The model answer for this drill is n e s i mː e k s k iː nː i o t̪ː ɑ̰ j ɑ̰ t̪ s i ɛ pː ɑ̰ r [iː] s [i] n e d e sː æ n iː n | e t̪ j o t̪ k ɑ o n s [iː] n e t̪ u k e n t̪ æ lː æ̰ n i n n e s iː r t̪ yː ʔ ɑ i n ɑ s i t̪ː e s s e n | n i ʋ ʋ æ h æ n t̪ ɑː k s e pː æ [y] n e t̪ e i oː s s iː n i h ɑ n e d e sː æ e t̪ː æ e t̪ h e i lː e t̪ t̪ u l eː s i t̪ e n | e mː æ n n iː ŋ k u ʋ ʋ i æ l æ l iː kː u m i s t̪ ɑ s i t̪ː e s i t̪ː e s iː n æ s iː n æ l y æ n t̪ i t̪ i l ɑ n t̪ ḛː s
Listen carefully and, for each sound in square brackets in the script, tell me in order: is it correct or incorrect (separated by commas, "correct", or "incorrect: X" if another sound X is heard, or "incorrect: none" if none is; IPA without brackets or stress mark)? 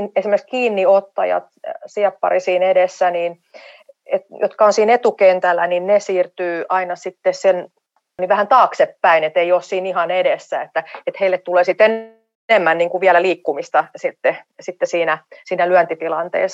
incorrect: i, incorrect: iː, correct, incorrect: i